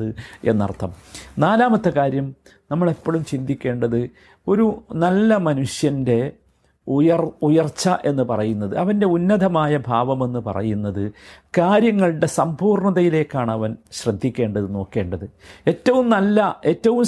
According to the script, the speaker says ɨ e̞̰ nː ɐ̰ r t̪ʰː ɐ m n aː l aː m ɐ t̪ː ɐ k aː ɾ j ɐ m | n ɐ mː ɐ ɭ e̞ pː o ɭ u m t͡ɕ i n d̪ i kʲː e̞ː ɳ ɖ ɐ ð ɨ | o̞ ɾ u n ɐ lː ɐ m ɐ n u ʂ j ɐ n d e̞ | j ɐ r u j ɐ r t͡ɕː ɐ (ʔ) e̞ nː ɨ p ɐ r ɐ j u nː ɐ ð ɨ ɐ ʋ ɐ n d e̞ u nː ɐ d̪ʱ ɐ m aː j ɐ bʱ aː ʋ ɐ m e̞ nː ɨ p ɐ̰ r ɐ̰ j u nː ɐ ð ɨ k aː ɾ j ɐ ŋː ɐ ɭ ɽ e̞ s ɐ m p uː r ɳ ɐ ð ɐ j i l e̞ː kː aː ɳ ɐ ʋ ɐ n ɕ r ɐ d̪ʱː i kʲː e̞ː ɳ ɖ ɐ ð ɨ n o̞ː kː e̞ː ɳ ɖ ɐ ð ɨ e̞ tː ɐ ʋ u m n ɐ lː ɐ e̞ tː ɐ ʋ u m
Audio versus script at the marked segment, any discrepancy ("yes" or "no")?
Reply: no